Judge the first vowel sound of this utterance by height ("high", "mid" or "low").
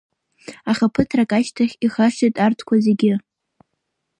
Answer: low